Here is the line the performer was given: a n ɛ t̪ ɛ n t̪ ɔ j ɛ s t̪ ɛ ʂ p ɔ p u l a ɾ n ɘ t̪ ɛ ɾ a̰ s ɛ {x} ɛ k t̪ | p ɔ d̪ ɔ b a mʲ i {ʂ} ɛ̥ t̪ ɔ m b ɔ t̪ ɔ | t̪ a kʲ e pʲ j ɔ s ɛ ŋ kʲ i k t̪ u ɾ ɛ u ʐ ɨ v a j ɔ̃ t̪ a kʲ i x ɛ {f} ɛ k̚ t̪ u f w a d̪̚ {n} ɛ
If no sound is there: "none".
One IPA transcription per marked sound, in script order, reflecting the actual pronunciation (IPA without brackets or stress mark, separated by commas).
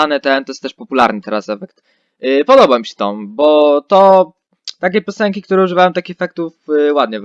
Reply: f, ɕ, f, ɲ